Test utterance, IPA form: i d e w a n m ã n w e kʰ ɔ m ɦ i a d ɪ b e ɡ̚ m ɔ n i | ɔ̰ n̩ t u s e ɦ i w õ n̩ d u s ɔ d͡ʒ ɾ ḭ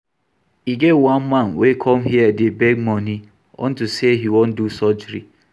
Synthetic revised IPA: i ɡ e w a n m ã n w e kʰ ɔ m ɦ i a d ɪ b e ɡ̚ m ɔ n i | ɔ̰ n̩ t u s e ɦ i w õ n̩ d u s ɔ d͡ʒ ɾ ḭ